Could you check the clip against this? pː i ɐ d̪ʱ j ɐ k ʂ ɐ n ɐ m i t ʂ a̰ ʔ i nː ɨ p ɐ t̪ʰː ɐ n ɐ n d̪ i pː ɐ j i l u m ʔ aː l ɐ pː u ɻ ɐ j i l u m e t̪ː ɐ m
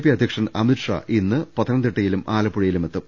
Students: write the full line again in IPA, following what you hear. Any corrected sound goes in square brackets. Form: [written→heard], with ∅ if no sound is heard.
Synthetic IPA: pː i ɐ d̪ʱ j ɐ k ʂ ɐ n ɐ m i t ʂ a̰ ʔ i nː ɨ p ɐ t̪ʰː ɐ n ɐ n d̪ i [pː→ʈː] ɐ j i l u m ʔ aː l ɐ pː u ɻ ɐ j i l u m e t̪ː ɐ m